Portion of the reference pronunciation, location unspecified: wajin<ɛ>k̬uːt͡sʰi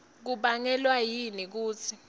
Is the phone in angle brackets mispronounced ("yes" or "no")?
yes